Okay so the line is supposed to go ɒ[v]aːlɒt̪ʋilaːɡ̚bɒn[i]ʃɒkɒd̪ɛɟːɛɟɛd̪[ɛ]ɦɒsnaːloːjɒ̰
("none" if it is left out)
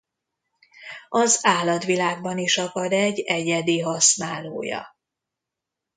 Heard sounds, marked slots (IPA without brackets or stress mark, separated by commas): z, i, i